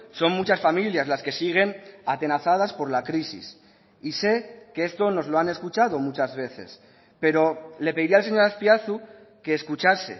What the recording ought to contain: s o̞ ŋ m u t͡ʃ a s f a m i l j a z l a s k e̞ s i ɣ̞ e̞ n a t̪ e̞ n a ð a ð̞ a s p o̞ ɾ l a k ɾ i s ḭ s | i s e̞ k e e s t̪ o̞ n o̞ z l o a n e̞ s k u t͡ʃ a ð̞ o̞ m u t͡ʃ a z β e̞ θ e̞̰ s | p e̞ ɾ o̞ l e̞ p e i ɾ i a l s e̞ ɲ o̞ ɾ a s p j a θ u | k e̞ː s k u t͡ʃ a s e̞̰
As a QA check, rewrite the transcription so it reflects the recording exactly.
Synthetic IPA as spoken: s o̞ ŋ m u t͡ʃ a s f a m i l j a z l a s k e̞ s i ɣ̞ e̞ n a t̪ e̞ n a θ a ð̞ a s p o̞ ɾ l a k ɾ i s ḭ s | i s e̞ k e e s t̪ o̞ n o̞ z l o a n e̞ s k u t͡ʃ a ð̞ o̞ m u t͡ʃ a z β e̞ θ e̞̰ s | p e̞ ɾ o̞ l e̞ p e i ɾ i a l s e̞ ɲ o̞ ɾ a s p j a θ u | k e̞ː s k u t͡ʃ a s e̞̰